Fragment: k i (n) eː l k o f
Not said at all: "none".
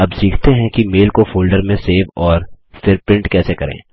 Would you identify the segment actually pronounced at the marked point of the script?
m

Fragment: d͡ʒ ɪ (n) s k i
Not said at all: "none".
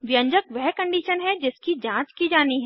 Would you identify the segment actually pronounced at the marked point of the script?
none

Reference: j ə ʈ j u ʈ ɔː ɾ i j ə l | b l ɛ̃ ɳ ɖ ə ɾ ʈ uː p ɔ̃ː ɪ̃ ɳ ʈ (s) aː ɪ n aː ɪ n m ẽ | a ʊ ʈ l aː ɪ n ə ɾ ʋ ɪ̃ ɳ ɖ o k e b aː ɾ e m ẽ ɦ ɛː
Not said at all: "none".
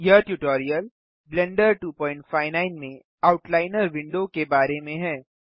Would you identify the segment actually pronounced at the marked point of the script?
f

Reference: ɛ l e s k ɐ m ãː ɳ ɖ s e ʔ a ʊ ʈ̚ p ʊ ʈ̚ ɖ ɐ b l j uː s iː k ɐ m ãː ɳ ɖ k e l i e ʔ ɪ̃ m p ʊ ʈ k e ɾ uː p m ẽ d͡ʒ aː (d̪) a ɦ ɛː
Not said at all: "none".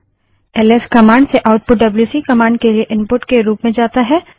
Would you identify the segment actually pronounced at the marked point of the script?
t̪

